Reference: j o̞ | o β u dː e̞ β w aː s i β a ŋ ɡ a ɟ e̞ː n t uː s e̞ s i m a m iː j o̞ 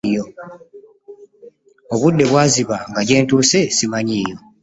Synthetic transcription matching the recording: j o̞ | o β u dː e̞ β w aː z i β a ŋ ɡ a ɟ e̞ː n t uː s e̞ s i m a ɲ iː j o̞

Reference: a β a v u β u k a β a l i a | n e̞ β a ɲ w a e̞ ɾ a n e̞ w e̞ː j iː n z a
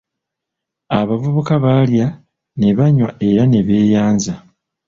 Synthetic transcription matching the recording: a β a v u β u k a β a l j a | n e̞ β a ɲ w a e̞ ɾ a n e̞ β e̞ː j aː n z a

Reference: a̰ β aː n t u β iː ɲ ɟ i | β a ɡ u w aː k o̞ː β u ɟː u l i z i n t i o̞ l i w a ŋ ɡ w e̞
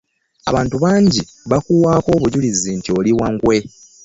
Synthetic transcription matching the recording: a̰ β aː n t u β aː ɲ ɟ i | β a k u w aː k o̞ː β u ɟ u l i z i n t i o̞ l i w a ŋ ɡ w e̞

